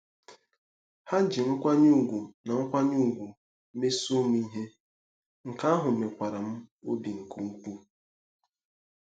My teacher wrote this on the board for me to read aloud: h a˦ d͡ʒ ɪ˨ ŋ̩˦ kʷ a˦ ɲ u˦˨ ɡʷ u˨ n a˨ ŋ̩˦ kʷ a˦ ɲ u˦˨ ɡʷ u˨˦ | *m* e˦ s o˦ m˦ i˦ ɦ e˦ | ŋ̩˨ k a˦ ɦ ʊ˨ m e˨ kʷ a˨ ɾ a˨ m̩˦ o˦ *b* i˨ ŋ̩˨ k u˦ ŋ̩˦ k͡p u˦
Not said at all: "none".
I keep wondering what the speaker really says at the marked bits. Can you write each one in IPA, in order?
m, b

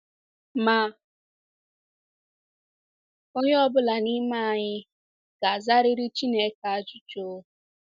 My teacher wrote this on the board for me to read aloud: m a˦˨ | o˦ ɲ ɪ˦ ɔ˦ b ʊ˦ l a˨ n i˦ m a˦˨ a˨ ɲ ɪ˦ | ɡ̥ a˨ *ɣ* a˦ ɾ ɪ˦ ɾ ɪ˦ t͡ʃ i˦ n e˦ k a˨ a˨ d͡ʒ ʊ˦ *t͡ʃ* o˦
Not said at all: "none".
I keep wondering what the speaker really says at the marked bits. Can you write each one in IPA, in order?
z, t͡ʃ

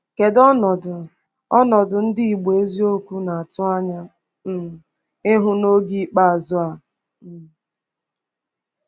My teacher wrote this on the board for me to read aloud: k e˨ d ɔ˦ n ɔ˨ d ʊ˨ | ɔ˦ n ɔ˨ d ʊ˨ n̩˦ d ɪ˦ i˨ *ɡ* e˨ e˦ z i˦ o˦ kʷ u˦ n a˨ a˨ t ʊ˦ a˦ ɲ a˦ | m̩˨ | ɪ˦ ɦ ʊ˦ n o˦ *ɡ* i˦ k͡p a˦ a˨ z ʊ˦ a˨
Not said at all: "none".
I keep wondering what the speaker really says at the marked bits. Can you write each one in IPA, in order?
ɡ͡b, ɡ

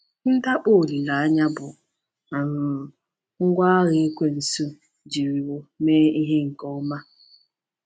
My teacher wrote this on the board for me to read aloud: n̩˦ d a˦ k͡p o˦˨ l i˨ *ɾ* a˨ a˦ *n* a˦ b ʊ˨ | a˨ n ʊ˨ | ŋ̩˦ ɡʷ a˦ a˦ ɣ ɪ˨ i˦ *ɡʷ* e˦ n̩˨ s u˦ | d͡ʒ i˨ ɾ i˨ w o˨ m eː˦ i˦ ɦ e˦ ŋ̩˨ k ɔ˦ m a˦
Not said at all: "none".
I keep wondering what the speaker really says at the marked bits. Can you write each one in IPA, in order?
l, ɲ, kʷ

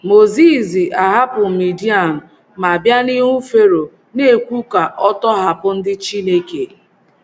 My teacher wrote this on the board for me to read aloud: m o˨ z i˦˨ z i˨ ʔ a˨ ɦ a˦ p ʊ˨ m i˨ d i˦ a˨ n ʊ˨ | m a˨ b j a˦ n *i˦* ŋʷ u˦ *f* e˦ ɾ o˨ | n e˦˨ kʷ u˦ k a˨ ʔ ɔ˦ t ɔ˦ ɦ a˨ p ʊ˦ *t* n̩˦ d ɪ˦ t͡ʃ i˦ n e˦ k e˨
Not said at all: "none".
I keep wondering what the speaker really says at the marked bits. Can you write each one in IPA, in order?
i˦, f, none

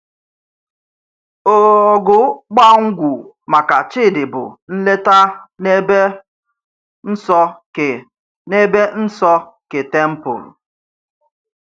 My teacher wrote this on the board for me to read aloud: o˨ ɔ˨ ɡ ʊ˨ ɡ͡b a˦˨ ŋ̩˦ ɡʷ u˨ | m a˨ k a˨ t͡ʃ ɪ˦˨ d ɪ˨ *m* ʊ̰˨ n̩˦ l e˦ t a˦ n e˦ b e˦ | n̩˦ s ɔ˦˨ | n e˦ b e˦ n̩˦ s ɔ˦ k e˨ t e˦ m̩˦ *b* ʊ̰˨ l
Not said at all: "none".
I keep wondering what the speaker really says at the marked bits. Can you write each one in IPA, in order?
b, p

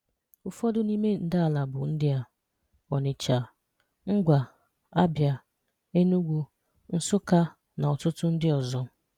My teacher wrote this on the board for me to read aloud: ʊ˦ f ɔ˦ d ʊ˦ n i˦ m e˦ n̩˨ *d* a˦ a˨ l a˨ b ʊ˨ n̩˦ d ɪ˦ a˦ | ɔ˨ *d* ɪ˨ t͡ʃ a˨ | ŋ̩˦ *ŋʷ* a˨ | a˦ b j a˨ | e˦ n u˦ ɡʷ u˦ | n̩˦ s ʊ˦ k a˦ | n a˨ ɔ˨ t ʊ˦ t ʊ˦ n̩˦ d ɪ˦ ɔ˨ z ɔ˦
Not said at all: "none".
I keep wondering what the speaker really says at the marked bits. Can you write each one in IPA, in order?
d, n, ɡʷ

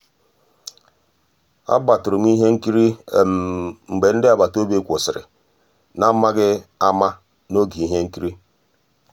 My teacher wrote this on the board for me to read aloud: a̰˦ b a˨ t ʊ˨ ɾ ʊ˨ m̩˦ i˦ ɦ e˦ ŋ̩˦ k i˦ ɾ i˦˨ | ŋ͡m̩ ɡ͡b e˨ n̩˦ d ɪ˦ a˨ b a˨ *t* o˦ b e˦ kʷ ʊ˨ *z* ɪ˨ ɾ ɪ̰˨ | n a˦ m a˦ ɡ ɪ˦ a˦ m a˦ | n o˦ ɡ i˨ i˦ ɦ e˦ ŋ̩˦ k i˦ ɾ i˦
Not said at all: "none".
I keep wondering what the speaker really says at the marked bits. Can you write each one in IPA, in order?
t, s

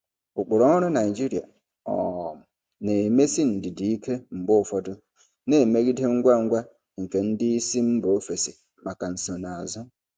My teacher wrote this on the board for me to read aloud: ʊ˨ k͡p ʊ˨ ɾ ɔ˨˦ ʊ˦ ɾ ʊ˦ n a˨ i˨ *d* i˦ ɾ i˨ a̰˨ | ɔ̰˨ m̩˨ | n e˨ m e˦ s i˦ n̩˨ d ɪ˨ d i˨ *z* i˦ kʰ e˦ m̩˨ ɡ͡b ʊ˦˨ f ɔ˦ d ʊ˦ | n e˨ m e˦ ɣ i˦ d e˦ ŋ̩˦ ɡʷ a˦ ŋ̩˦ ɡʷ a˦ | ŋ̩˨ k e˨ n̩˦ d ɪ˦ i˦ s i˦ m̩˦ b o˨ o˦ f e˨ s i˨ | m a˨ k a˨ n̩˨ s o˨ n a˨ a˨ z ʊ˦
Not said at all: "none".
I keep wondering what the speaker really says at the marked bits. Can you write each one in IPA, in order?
d͡ʒ, none

